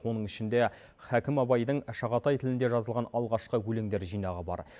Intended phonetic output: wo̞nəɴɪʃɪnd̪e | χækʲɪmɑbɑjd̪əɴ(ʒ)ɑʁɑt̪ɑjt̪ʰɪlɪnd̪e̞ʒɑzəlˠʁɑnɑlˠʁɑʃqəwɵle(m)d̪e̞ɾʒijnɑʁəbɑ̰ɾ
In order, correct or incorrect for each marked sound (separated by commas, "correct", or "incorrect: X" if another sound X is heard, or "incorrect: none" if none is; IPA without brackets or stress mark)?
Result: incorrect: ʃ, incorrect: ŋ